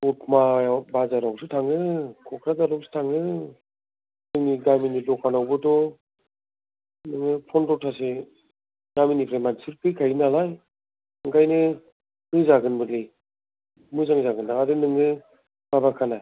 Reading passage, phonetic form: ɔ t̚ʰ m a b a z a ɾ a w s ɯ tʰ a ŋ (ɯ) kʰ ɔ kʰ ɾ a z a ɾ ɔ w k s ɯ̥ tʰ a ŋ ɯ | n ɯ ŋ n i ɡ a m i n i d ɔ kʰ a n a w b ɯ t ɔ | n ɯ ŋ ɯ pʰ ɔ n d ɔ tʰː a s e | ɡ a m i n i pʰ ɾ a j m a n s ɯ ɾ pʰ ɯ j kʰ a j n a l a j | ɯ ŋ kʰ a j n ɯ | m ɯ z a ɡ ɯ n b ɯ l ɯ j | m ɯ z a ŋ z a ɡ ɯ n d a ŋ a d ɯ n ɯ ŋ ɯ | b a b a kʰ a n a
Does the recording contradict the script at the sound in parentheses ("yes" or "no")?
no